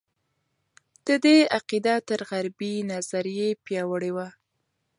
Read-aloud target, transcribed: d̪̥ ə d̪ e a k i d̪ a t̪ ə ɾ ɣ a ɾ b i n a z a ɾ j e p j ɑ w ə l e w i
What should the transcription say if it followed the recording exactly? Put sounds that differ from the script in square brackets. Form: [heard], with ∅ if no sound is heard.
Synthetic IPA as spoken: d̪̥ ə d̪ e a [q] i d̪ a t̪ ə ɾ ɣ a ɾ b i n a z a ɾ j e p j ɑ w ə [ɽ] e w [a]